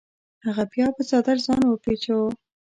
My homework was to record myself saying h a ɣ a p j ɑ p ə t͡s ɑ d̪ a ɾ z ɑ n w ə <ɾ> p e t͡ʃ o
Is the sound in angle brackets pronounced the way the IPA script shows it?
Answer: no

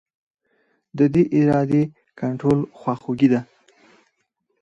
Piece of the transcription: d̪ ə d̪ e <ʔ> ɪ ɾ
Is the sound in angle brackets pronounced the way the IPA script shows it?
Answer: yes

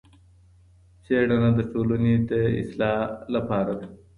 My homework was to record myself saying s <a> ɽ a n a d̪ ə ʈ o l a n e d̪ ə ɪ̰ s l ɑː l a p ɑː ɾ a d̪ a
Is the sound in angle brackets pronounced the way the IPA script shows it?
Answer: no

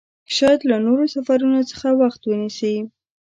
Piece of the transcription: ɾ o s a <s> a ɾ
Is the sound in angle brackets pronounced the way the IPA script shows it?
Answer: no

